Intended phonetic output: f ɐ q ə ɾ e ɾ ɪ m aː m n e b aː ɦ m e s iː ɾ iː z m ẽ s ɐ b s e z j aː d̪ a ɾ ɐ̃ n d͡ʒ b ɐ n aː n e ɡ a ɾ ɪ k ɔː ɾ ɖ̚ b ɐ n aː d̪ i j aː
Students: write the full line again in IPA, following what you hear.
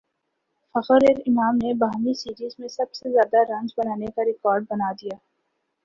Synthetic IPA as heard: f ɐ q ə ɾ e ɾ ɪ m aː m n e b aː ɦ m i s iː ɾ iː z m ẽ s ɐ b s e z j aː d̪ a ɾ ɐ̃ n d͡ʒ b ɐ n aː n e k a ɾ ɪ k ɔː ɾ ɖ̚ b ɐ n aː d̪ i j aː

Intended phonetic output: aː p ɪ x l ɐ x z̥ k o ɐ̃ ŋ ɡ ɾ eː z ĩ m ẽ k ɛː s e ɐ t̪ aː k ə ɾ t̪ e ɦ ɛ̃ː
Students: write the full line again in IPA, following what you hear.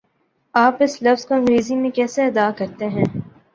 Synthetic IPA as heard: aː p ɪ s l ɐ f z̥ k o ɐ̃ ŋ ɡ ɾ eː z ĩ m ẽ k ɛː s e ɐ d̪ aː k ɐ ɾ t̪ e ɦ ɛ̃ː

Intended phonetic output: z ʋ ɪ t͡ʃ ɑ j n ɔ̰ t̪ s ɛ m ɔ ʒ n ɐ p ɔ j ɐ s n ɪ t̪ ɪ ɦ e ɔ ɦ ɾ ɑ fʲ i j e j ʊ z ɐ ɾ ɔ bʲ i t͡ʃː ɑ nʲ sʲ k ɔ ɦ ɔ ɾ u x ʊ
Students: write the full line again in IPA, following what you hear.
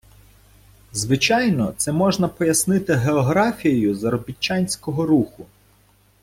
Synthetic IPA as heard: z ʋ ɪ t͡ʃ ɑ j n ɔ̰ t̪ s ɛ m ɔ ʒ n ɐ p ɔ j ɐ s n ɪ t̪ ɪ ɦ e ɔ ɦ ɾ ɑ fʲ i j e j ʊ z ɐ ɾ ɔ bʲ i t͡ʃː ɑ nʲ sʲ k ɔ ɦ ɔ ɾ u x ʊ

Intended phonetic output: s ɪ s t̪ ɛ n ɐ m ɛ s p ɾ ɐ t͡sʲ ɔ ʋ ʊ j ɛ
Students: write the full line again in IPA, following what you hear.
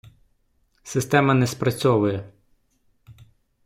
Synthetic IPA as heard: s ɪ s t̪ ɛ m ɐ n ɛ s p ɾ ɐ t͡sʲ ɔ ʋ ʊ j ɛ

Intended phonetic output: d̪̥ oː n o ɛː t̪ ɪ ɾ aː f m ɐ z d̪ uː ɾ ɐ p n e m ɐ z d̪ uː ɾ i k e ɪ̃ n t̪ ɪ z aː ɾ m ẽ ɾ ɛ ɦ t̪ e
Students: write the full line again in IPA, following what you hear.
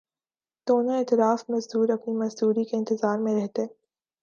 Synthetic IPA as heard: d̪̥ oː n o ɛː t̪ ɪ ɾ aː f m ɐ z d̪ uː ɾ ɐ p n i m ɐ z d̪ uː ɾ i k e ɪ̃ n t̪ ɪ z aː ɾ m ẽ ɾ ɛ ɦ t̪ e

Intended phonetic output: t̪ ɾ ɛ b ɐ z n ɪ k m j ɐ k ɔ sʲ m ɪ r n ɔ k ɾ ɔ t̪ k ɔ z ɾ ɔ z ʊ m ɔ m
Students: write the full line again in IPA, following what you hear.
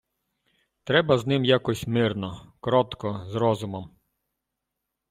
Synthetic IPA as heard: t̪ ɾ ɛ b ɐ z n ɪ m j a k ɔ sʲ m ɪ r n ɔ k ɾ ɔ t̪ k ɔ z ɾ ɔ z ʊ m ɔ m

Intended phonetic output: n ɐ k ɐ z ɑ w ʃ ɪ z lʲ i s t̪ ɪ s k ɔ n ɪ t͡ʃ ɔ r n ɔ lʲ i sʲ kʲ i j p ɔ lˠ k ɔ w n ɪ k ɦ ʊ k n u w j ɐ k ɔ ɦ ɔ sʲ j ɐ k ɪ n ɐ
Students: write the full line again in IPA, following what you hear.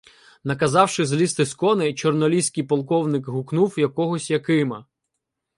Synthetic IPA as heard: n ɐ k ɐ z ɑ w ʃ ɪ z lʲ i s t̪ ɪ s k ɔ n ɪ t͡ʃ ɔ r n ɔ lʲ i sʲ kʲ i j p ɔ lˠ k ɔ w n ɪ k ɦ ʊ k n u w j ɐ k ɔ ɦ ɔ sʲ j ɐ k ɪ m ɐ

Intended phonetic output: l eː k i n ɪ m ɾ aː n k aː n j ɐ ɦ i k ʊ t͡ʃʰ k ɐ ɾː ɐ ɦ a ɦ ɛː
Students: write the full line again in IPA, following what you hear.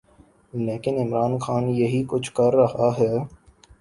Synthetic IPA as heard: l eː k ɪ n ɪ m ɾ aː n x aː n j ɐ ɦ i k ʊ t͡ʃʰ k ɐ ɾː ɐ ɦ a ɦ ɛː

